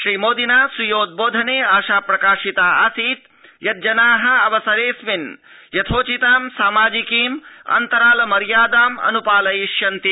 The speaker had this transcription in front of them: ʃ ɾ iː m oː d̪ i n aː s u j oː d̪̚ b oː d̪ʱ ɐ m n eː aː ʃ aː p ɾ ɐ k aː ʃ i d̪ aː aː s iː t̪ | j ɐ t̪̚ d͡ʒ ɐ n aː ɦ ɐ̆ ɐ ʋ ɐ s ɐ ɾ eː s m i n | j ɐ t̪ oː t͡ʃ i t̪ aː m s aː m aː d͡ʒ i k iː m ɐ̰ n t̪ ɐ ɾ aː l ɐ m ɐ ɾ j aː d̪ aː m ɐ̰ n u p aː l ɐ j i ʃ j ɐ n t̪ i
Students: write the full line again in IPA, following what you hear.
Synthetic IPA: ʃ ɾ iː m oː d̪ i n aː s u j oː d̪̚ b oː d̪ʱ ɐ n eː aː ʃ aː p ɾ ɐ k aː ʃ i t̪ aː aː s iː t̪ | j ɐ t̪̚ d͡ʒ ɐ n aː ɦ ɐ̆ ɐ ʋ ɐ s ɐ ɾ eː s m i n | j ɐ t̪ʰ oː t͡ʃ i t̪ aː m s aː m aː d͡ʒ i k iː m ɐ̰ n t̪ ɐ ɾ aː l ɐ m ɐ ɾ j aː d̪ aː m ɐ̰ n u p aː l ɐ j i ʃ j ɐ n t̪ i

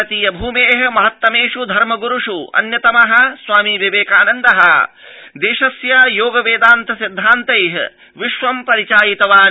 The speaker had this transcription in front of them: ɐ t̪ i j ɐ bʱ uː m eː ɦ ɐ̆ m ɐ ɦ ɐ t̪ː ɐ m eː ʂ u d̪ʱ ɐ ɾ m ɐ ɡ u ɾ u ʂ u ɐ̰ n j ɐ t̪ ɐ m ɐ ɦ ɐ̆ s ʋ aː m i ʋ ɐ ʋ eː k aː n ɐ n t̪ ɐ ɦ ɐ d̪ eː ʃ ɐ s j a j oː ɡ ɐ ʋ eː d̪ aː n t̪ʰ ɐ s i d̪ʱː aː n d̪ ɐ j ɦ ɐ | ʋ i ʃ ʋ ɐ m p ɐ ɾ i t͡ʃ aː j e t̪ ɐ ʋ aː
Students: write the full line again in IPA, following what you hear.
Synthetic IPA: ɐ t̪ i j ɐ bʱ uː m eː ɦ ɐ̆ m ɐ ɦ ɐ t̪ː ɐ m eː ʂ u d̪ʱ ɐ ɾ m ɐ ɡ u ɾ u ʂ u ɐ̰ n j ɐ t̪ ɐ m ɐ ɦ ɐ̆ s ʋ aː m i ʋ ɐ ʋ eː k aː n ɐ n d̪ ɐ ɦ ɐ d̪ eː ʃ ɐ s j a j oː ɡ ɐ ʋ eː d̪ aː n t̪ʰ ɐ s i d̪ʱː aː n t̪ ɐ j ɦ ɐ | ʋ i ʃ ʋ ɐ m p ɐ ɾ i t͡ʃ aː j i t̪ ɐ ʋ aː

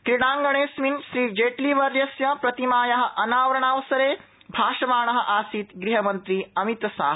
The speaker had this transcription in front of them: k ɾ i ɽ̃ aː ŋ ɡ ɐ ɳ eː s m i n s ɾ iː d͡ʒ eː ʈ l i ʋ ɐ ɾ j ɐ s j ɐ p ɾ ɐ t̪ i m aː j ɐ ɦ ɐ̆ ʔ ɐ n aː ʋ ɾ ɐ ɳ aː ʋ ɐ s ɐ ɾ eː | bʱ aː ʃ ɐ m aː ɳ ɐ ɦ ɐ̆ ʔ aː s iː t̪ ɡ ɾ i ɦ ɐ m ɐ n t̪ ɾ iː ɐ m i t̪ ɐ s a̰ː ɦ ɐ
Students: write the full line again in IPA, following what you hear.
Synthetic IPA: k ɾ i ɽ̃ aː ŋ ɡ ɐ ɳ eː s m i n ʃ ɾ iː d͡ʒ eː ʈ l i ʋ ɐ ɾ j ɐ s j ɐ p ɾ ɐ t̪ i m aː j ɐ ɦ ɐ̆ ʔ ɐ n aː ʋ ɾ ɐ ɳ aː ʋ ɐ s ɐ ɾ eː | bʱ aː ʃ ɐ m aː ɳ ɐ ɦ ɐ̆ ʔ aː s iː t̪ ɡ ɾ i ɦ ɐ m ɐ n t̪ ɾ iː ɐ m i t̪ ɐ s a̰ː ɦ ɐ

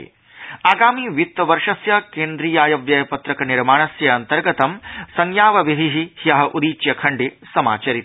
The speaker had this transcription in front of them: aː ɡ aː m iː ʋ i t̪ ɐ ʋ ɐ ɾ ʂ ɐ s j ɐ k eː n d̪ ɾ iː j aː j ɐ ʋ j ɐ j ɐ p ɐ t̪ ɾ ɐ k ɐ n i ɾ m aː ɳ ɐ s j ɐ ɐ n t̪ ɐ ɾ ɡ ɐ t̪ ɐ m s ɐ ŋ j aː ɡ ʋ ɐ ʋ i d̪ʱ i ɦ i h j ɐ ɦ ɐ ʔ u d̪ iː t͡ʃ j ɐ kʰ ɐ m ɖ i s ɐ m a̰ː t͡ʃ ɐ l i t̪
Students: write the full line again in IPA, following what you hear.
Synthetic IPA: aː ɡ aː m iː ʋ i t̪ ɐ ʋ ɐ ɾ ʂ ɐ s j ɐ k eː n d̪ ɾ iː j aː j ɐ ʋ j ɐ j ɐ p ɐ t̪ ɾ ɐ k ɐ n i ɾ m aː ɳ ɐ s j ɐ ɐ n t̪ ɐ ɾ ɡ ɐ t̪ ɐ m s ɐ ŋ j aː ʋ ɐ ʋ i d̪ʱ i ɦ i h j ɐ ɦ ɐ ʔ u d̪ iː t͡ʃ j ɐ kʰ ɐ ɳ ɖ i s ɐ m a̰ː t͡ʃ ɐ ɾ i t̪

